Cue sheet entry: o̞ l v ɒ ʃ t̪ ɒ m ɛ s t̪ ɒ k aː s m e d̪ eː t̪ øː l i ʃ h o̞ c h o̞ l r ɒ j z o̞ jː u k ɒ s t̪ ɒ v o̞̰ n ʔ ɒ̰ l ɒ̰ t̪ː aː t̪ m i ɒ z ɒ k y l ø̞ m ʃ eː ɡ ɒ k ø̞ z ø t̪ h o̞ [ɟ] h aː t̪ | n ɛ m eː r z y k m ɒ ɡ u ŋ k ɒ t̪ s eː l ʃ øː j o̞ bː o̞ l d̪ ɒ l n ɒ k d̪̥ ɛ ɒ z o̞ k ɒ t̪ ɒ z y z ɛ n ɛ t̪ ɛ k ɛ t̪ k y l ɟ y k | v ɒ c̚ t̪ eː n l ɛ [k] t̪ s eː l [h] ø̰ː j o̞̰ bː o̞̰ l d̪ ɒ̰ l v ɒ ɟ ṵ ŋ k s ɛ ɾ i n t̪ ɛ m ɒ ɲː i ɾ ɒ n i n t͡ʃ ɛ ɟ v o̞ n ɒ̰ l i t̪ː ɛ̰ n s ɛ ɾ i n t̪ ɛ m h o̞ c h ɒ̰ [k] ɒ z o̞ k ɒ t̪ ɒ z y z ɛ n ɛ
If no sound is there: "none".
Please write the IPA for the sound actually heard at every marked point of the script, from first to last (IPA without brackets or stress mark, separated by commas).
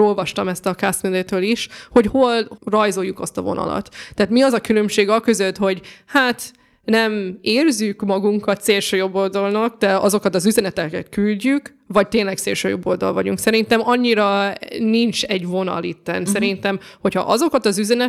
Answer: ɟ, k, ʃ, ʔ